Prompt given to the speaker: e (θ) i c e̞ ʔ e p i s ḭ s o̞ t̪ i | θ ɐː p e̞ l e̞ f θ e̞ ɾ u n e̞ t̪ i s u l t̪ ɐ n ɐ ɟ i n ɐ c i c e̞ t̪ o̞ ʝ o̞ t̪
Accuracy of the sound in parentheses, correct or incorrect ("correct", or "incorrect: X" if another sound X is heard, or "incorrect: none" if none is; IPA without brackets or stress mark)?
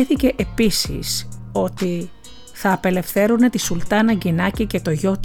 correct